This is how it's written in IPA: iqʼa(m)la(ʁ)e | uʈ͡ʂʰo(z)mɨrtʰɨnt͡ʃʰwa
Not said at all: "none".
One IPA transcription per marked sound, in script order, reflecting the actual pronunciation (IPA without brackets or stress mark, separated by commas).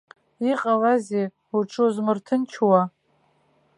none, z, z